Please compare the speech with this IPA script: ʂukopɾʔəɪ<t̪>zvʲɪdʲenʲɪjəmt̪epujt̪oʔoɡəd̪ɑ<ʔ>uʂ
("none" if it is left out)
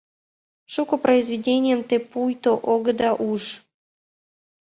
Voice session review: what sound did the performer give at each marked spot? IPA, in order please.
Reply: none, ʔ

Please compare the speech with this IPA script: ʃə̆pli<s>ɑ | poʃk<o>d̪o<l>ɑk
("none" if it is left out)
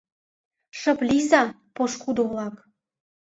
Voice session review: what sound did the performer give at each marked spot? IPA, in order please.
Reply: z, u, l

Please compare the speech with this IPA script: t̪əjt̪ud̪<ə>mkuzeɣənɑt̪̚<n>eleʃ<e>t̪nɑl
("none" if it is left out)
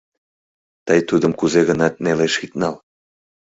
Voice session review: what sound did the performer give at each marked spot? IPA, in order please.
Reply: ə, n, i

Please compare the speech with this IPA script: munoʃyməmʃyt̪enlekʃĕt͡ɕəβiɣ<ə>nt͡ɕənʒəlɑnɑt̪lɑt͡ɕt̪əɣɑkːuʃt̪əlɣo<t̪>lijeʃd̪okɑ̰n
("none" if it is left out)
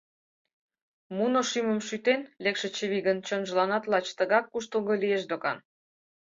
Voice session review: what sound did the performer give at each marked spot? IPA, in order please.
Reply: ə, none

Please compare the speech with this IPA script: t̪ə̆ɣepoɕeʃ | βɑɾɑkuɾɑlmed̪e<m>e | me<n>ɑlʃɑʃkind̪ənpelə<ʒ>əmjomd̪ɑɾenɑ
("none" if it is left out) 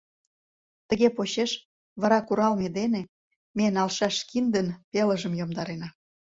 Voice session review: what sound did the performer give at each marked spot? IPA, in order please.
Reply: n, n, ʒ

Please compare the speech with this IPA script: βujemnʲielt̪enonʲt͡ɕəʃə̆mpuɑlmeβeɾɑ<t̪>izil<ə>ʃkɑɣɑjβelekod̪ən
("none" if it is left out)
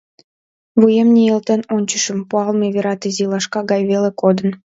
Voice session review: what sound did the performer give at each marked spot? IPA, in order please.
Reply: t̪, ɑ

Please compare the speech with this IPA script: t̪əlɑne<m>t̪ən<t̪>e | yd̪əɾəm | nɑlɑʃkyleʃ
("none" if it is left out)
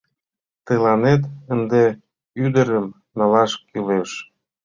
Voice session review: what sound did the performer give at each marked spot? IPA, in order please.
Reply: none, d̪

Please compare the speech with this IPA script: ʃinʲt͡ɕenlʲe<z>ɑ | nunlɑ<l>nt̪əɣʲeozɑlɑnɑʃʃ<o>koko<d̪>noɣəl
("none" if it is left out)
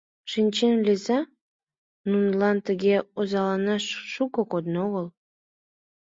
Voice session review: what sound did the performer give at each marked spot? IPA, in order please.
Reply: z, none, u, d̪

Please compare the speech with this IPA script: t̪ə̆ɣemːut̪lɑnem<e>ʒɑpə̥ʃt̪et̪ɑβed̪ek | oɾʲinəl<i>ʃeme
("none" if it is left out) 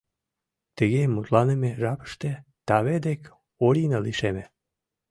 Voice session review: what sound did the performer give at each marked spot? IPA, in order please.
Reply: e, i

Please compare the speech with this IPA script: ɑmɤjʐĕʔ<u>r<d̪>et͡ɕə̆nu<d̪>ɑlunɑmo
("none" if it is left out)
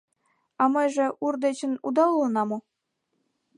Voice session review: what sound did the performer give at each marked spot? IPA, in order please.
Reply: u, d̪, d̪

